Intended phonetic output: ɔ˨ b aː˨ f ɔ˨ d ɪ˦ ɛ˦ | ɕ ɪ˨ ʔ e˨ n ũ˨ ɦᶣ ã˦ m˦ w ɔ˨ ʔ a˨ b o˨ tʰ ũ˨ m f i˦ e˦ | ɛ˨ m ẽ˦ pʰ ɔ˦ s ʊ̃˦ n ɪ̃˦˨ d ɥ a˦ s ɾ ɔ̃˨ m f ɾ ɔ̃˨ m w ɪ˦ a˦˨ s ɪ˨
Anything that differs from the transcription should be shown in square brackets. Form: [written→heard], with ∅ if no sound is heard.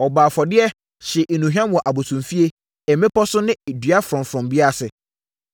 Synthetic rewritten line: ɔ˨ b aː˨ f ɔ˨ d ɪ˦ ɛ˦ | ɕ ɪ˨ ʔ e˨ n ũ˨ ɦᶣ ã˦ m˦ w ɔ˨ ʔ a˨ b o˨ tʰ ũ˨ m f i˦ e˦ | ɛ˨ m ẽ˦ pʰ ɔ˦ s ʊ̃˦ n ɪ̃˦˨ d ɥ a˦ [s→f] ɾ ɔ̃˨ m f ɾ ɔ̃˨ m [w→b] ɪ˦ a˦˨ s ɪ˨